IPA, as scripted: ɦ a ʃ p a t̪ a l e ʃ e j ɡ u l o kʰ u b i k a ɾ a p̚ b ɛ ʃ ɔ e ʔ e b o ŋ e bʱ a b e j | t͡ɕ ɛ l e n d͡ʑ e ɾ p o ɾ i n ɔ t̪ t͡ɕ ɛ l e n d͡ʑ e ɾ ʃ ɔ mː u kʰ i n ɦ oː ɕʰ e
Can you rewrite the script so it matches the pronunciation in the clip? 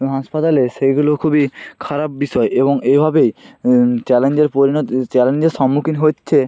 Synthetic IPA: ɦ a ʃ p a t̪ a l e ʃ e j ɡ u l o kʰ u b i kʰ a ɾ a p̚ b i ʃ ɔ e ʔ e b o ŋ e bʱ a b e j | t͡ɕ ɛ l e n d͡ʑ e ɾ p o ɾ i n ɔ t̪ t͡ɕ ɛ l e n d͡ʑ e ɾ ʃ ɔ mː u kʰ i n ɦ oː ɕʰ e